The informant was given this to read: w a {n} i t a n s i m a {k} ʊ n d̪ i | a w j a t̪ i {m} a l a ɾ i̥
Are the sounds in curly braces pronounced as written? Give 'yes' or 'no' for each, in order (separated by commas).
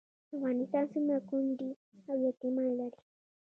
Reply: yes, yes, yes